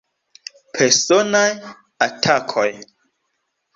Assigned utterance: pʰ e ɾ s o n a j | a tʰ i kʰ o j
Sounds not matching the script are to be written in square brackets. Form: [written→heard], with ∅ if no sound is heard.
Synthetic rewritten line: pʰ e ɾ s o n a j | a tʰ [i→a] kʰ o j

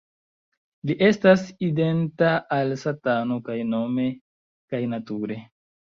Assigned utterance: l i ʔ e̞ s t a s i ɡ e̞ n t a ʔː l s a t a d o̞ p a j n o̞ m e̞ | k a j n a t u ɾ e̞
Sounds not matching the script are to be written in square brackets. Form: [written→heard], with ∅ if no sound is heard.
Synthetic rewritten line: l i ʔ e̞ s t a s i [ɡ→d] e̞ n t a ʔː l s a t a [d→n] o̞ [p→k] a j n o̞ m e̞ | k a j n a t u ɾ e̞

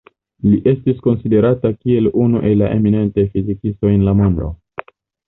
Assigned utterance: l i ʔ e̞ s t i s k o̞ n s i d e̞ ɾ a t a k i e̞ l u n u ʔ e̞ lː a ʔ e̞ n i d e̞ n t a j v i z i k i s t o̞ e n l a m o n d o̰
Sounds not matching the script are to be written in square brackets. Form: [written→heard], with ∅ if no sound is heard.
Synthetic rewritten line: l i ʔ e̞ s t i s k o̞ n s i d e̞ ɾ a t a k i e̞ l u n u ʔ e̞ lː a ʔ e̞ [n→m] i [d→n] e̞ n t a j [v→f] i z i k i s t o̞ e n l a m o n d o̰

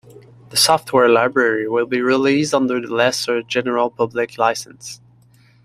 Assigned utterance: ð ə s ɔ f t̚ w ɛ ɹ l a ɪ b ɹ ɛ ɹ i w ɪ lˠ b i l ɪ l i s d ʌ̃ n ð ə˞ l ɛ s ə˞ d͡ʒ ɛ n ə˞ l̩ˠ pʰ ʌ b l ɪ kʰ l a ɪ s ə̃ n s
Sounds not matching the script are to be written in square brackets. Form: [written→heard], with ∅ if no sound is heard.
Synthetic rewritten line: ð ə s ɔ f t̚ w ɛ ɹ l a ɪ b ɹ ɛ ɹ i w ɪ lˠ b i [l→ɹ] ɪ l i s d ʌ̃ n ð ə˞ l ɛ s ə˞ d͡ʒ ɛ n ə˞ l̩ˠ pʰ ʌ b l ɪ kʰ l a ɪ s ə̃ n s

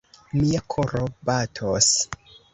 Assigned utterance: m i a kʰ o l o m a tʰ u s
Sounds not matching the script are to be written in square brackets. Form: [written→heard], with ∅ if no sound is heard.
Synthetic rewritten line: m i a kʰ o [l→ɾ] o [m→b] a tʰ [u→o] s

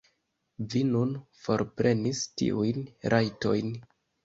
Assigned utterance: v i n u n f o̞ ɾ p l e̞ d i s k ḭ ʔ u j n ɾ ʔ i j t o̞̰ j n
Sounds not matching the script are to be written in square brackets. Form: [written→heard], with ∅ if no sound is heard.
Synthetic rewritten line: v i n u n f o̞ ɾ p [l→ɾ] e̞ [d→n] i s [k→t] ḭ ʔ u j n ɾ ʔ [i→a] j t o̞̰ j n

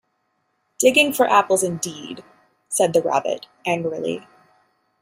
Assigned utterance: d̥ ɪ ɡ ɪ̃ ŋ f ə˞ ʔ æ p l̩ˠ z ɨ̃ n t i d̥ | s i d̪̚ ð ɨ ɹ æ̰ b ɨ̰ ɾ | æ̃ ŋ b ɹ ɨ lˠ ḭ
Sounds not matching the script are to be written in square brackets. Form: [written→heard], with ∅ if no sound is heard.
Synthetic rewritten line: d̥ ɪ ɡ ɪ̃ ŋ f ə˞ ʔ æ p l̩ˠ z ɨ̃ n [t→d] i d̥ | s [i→ɛ] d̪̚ ð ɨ ɹ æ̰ b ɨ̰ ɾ | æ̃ ŋ [b→ɡ] ɹ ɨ lˠ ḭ

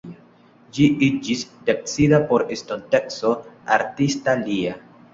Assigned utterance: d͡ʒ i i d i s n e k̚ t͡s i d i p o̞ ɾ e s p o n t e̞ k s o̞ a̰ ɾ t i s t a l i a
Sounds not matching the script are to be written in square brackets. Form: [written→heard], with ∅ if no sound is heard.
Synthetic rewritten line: d͡ʒ i i [d→d͡ʒ] i s [n→d] e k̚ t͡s i d [i→a] p o̞ ɾ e s [p→t] o n t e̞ k s o̞ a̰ ɾ t i s t a l i a

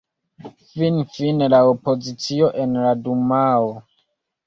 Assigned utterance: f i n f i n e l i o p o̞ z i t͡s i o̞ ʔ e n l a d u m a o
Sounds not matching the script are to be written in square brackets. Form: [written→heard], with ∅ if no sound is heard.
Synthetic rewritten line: f i n f i n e l [i→a] o p o̞ z i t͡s i o̞ ʔ e n l a d u m a o

